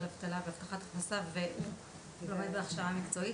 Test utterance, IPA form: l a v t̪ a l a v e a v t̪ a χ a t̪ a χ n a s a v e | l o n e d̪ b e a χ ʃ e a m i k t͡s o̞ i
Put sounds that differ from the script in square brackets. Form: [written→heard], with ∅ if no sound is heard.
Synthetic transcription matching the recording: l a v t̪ a l a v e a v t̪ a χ a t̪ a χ n a s a v e | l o [n→m] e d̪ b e a χ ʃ [e→a] a m i k t͡s o̞ i